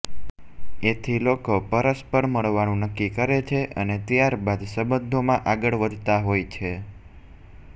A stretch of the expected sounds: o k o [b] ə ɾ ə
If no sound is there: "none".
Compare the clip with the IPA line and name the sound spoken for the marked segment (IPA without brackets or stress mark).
p